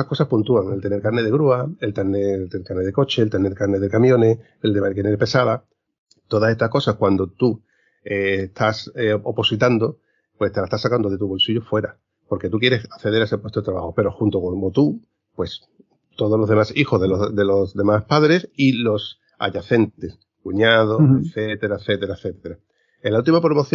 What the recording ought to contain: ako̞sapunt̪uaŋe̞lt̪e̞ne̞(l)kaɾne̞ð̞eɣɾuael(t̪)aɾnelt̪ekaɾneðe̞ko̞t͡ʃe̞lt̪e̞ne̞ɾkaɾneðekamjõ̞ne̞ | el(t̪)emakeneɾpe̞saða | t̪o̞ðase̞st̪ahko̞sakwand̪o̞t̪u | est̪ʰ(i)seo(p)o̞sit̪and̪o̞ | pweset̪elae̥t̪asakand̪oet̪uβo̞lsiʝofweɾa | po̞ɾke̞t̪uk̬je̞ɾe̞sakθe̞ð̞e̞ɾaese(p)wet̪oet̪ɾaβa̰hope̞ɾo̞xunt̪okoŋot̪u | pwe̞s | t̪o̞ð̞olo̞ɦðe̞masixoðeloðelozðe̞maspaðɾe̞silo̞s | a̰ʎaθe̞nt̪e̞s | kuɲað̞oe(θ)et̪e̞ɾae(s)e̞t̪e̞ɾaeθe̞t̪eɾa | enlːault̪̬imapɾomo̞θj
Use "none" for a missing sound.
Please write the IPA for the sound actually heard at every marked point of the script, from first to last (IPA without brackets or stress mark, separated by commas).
ɾ, t̪, d̪, a, p, p, θ, θ